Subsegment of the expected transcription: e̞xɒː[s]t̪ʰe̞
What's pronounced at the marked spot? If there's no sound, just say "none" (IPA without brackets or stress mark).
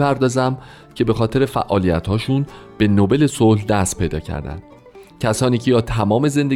none